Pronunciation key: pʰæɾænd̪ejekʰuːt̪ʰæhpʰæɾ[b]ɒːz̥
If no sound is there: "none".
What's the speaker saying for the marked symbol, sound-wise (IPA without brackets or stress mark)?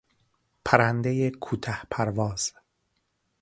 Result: v